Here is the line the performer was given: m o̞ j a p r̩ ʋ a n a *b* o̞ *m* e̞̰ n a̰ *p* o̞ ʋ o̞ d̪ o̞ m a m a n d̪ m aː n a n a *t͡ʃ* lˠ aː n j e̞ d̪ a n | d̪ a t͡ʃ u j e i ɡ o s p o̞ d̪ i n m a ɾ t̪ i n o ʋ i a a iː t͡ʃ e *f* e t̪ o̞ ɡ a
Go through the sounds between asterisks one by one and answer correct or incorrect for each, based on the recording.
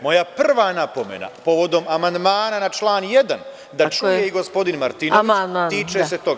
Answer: incorrect: p, correct, correct, correct, incorrect: s

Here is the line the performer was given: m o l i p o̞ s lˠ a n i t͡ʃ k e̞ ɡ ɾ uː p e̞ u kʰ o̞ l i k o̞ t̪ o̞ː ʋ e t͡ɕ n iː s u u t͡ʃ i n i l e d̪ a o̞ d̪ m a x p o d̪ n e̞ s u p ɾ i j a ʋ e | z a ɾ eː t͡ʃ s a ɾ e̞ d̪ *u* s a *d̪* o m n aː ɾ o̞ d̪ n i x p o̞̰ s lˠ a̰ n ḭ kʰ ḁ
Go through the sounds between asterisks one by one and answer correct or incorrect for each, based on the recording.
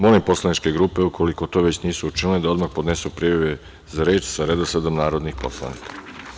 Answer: incorrect: o, correct

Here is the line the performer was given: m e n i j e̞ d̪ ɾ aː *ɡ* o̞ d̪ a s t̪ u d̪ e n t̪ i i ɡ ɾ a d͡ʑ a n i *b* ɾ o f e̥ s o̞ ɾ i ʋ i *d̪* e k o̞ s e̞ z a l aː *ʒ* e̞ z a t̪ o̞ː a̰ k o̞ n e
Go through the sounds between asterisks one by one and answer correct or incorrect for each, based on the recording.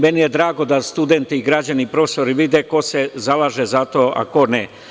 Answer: correct, incorrect: p, correct, correct

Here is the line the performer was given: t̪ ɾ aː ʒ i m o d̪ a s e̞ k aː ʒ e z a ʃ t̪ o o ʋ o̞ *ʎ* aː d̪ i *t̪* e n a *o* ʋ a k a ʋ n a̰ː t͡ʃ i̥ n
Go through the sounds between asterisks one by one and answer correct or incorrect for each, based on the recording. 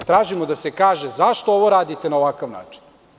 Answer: incorrect: ɾ, correct, correct

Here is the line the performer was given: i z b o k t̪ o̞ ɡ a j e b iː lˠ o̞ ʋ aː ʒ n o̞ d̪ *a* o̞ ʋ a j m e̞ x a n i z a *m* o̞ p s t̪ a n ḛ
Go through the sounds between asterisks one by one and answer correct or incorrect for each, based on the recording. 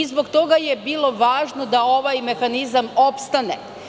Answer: correct, correct

